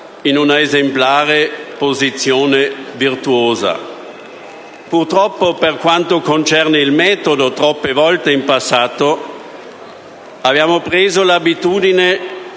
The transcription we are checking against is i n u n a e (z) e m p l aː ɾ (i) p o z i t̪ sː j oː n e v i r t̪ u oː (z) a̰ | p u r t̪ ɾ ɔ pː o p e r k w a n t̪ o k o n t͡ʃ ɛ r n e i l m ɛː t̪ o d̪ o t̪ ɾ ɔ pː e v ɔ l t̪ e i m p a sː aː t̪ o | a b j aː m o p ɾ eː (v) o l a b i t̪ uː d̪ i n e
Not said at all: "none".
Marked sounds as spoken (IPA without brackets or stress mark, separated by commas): z, e, z, z